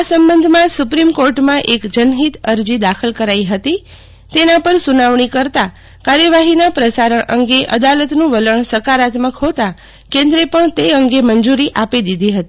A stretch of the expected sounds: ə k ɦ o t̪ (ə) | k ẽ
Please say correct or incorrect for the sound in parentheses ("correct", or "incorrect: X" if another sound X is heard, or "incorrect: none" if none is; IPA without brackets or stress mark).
incorrect: a